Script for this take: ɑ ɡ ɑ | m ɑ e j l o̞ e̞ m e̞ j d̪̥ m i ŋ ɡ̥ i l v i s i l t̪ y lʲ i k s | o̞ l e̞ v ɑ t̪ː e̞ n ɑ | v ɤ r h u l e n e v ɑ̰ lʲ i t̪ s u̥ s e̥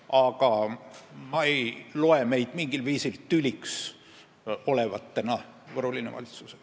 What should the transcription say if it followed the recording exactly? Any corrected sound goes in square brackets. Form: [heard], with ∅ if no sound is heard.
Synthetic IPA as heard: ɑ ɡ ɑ | m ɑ e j l o̞ e̞ m e̞ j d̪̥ m i ŋ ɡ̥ i l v [iː] s i l t̪ y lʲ i k s | o̞ l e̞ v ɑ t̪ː e̞ n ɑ | v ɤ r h u l [i] n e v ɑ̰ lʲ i t̪ s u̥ s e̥